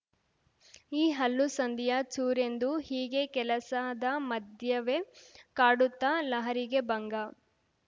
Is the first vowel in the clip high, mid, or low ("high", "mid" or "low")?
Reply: high